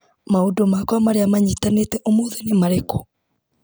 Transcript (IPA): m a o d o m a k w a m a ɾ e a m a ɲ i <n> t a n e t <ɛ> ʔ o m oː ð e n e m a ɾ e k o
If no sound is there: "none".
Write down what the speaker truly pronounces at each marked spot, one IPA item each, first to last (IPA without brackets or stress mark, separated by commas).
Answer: none, ɛ